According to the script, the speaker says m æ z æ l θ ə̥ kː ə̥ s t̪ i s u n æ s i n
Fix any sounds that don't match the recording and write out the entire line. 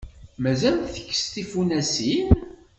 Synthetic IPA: m æ z æ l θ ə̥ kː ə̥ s t̪ i f u n æ s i n